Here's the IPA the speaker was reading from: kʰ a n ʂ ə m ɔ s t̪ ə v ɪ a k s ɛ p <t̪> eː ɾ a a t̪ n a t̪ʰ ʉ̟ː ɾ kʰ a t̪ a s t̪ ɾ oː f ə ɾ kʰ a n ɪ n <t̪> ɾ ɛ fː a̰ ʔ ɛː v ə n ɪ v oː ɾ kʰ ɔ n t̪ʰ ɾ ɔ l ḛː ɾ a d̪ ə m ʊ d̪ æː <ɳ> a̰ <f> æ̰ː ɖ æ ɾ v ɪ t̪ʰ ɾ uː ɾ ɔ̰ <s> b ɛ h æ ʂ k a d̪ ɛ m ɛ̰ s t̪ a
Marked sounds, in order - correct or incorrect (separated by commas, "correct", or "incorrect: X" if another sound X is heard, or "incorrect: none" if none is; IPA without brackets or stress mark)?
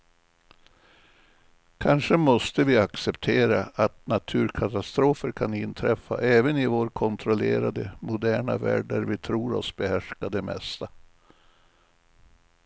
incorrect: t̪ʰ, incorrect: t̪ʰ, correct, incorrect: v, correct